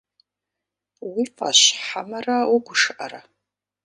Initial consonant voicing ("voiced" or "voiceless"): voiced